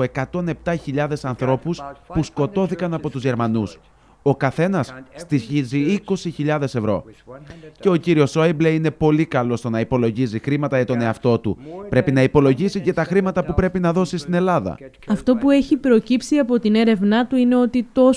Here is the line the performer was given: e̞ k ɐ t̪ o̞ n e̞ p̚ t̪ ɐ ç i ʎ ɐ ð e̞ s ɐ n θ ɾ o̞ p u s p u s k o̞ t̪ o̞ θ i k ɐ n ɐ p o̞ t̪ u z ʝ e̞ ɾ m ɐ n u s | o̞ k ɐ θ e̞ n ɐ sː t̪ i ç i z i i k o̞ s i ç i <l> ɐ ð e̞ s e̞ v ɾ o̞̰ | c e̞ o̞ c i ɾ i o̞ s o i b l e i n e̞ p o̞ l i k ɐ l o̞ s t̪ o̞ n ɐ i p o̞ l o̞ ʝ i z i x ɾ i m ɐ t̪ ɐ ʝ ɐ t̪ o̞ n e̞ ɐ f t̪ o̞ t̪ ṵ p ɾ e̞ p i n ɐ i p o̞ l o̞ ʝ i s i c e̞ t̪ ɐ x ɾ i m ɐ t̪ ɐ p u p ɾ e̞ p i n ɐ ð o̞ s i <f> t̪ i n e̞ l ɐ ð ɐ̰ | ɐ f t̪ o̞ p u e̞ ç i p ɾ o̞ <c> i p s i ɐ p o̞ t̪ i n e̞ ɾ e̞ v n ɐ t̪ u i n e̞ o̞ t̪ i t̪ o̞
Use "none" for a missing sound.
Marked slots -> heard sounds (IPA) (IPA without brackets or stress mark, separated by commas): ʎ, s, c